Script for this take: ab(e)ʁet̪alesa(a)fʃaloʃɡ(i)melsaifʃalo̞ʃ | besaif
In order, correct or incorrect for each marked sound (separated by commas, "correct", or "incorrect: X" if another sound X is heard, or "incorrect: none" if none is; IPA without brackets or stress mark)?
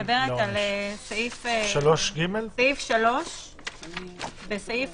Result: correct, incorrect: i, correct